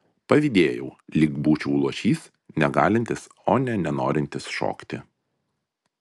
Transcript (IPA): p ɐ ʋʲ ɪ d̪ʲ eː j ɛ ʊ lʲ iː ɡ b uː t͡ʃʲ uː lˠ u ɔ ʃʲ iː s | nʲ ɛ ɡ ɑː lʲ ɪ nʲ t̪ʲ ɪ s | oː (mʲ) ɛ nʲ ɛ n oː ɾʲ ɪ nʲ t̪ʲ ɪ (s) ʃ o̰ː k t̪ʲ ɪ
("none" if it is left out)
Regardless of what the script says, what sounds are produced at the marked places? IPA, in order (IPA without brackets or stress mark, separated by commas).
nʲ, s